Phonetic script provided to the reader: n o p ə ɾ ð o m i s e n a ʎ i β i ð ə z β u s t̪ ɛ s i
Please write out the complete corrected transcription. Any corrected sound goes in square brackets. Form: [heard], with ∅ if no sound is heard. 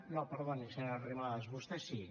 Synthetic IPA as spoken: n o p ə ɾ ð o [n] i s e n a [r] i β [a] ð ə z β u s t̪ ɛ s i

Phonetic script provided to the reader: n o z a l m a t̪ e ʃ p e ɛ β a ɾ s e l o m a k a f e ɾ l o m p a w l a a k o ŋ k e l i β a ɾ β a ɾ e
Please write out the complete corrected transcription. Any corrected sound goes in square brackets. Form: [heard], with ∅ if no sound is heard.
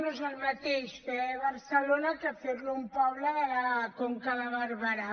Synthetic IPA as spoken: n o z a l m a t̪ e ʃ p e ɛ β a ɾ s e l o [n] a k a f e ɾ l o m p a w l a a k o ŋ k [a] l [a] β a ɾ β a ɾ [a]

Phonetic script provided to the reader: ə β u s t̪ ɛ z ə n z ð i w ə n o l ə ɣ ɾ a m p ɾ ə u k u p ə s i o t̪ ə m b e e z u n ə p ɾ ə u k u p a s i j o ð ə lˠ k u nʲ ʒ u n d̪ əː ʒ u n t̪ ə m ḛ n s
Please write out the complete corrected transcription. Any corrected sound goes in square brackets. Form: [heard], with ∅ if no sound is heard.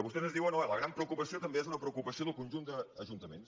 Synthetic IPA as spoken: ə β u s t̪ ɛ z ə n z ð i w ə n o l ə ɣ ɾ a m p ɾ ə u k u p ə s i o t̪ ə m b e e z u n ə p ɾ ə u k u p [ə] s i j o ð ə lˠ k u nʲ ʒ u n d̪ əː ʒ u n t̪ ə m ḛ n s

